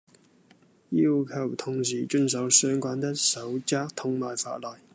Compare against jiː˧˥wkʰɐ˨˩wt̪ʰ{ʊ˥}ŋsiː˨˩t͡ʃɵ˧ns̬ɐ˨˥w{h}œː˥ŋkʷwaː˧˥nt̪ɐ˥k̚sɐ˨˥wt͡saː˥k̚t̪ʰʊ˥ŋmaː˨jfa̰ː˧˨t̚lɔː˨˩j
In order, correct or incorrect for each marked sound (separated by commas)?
incorrect, incorrect